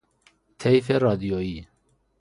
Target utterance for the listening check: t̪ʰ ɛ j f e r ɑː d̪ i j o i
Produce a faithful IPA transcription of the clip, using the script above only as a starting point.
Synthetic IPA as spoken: t̪ʰ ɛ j f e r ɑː d̪ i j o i